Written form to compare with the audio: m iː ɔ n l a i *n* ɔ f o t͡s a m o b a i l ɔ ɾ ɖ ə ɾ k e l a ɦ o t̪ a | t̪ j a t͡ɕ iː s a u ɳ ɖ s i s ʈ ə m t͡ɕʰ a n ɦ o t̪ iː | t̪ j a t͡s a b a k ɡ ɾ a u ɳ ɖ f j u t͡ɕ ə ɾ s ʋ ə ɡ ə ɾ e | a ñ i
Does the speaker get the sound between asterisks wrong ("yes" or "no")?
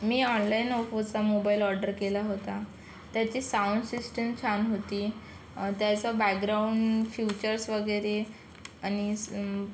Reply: no